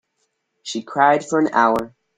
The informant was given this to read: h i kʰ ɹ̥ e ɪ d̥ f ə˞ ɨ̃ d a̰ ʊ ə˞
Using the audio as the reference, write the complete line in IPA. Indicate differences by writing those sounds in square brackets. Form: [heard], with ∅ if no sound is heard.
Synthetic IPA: [ʃ] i kʰ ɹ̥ [a] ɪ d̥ f ə˞ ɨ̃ [n] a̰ ʊ ə˞